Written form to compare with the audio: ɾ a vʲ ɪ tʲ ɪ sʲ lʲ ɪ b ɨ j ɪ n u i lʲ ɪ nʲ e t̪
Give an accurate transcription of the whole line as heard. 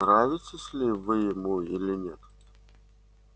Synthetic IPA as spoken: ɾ a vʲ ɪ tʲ ɪ sʲ lʲ ɪ v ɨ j ɪ m u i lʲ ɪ nʲ e t̪